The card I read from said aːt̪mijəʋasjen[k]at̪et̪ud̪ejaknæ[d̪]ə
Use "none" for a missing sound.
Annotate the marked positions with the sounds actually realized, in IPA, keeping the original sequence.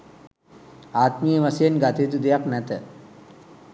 ɡ, t̪

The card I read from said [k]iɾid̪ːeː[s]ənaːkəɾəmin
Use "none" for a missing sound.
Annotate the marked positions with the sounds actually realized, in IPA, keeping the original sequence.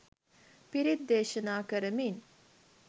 p, ʃ

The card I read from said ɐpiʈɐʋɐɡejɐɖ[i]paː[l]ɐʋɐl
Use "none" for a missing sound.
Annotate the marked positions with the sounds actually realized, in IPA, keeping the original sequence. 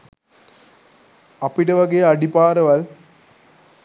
i, ɾ

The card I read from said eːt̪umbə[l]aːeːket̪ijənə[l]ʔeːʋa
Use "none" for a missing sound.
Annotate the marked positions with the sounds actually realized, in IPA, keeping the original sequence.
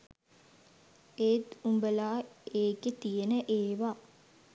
l, none

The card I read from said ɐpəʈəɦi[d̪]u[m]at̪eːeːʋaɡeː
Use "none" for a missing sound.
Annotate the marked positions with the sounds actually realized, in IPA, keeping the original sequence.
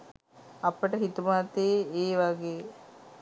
t̪, m

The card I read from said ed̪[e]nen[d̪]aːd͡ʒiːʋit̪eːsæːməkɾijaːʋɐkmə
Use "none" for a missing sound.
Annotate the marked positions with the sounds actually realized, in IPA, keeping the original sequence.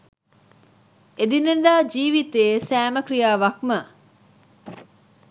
i, d̪

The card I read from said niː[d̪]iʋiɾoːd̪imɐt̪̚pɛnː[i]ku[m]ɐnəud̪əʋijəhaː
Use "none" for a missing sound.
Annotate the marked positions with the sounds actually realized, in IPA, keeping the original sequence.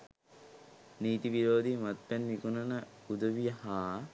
t̪, i, n

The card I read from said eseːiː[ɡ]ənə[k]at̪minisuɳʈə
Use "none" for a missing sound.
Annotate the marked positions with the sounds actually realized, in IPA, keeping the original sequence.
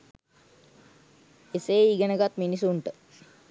ɡ, ɡ

